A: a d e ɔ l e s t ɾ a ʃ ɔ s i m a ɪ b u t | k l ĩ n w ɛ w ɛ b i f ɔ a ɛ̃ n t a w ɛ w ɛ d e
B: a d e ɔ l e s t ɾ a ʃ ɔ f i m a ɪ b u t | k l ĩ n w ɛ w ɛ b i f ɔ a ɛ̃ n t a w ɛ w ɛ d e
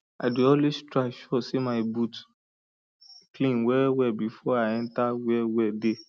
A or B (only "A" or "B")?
A